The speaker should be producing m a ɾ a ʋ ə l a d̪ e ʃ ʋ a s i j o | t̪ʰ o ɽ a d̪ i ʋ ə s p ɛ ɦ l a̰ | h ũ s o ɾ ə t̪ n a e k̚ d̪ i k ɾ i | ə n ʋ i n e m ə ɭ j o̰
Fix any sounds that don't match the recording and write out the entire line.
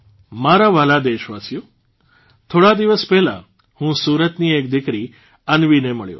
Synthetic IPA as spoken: m a ɾ a ʋ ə l a d̪ e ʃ ʋ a s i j o | t̪ʰ o ɽ a d̪ i ʋ ə s p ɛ ɦ l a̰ | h ũ s u ɾ ə t̪ n i e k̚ d̪ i k ɾ i | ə n ʋ i n e m ə ɭ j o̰